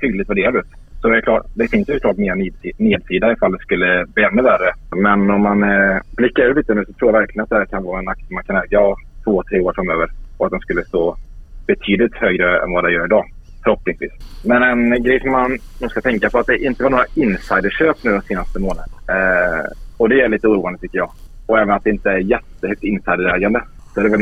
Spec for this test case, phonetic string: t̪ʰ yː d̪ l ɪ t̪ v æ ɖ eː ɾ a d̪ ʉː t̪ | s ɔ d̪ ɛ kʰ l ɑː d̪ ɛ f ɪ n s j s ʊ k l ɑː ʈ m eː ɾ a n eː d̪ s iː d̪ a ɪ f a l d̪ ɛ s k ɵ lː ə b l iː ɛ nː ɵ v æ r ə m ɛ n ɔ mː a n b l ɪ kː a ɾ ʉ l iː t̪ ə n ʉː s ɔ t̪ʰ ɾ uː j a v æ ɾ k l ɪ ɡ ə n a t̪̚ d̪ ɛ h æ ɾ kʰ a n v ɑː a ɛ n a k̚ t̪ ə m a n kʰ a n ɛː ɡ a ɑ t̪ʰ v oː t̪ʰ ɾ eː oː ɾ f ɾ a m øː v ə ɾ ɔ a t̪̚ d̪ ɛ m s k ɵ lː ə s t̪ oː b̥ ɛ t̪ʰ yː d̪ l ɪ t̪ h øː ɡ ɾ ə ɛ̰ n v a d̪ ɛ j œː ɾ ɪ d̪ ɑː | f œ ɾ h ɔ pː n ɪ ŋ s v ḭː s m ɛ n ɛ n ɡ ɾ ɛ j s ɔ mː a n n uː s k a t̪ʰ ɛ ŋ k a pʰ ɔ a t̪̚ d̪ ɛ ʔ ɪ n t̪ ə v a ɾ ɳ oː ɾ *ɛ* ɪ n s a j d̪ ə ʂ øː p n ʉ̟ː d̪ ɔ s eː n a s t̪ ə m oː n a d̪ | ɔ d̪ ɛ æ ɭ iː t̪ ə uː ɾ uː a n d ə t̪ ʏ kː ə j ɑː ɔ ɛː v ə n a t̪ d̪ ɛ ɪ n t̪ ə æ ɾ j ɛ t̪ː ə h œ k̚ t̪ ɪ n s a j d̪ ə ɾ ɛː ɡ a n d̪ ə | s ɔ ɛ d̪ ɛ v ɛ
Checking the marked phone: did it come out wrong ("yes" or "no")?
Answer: yes